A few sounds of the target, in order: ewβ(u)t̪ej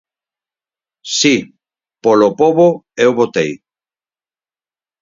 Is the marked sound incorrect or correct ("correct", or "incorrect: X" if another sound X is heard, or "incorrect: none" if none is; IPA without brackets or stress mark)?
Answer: incorrect: o